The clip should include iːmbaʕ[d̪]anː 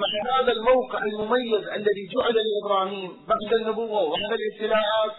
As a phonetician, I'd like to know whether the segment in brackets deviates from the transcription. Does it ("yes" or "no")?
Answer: no